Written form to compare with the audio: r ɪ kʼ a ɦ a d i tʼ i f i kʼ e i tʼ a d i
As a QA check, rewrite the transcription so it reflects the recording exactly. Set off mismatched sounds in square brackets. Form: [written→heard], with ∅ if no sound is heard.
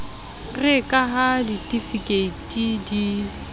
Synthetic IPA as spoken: r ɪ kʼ a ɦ a d i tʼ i f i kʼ e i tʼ [a→i] d i